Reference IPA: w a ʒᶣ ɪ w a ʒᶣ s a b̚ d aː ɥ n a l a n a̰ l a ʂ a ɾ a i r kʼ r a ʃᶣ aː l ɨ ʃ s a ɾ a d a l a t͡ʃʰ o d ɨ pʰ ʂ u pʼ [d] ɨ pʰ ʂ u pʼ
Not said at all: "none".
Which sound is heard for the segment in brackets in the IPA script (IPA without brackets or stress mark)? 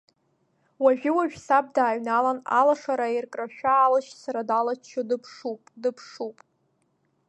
d